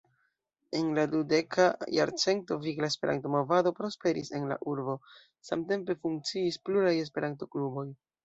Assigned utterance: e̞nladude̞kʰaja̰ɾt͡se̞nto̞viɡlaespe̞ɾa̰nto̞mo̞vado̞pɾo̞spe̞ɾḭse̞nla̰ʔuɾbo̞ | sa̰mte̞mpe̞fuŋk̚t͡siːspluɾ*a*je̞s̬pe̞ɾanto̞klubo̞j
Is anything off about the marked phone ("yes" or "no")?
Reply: no